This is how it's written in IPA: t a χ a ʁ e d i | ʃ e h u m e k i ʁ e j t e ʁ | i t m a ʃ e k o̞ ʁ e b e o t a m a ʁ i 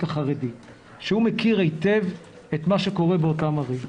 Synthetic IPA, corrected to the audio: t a χ a ʁ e d i | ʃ e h u m e k i ʁ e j t e v | e t m a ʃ e k o̞ ʁ e b e o t a m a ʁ i